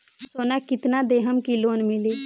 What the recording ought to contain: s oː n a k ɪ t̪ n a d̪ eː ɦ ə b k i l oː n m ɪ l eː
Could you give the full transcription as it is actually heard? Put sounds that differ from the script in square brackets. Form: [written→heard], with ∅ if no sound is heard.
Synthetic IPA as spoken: s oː n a k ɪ t̪ n a d̪ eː ɦ ə [b→m] k i l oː n m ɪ l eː